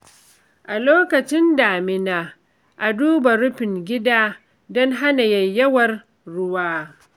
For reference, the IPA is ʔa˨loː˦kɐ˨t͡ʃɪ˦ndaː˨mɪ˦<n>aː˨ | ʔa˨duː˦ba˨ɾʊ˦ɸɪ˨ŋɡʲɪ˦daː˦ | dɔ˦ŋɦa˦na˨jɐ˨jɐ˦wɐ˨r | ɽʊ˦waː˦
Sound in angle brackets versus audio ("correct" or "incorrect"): correct